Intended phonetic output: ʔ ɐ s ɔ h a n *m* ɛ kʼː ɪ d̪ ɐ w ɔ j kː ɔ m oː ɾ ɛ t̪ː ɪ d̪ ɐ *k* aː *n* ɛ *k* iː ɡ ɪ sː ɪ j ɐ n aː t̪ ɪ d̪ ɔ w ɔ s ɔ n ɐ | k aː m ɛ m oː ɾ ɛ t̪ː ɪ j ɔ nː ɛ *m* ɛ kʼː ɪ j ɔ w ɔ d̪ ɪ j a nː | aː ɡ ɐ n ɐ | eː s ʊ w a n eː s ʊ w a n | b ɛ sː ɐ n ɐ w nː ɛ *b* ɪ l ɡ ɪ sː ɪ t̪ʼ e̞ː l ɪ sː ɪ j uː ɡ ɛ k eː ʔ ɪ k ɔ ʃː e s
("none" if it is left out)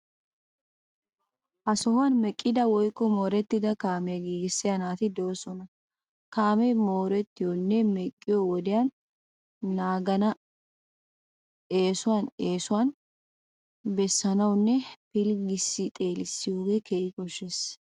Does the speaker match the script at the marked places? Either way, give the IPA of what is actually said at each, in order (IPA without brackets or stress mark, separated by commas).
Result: m, k, m, ɡ, m, p